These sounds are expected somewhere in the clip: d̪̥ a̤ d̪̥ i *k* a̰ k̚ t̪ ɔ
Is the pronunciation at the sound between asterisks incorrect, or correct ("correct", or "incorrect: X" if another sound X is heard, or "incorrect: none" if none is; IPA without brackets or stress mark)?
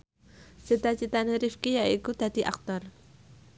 incorrect: ʔ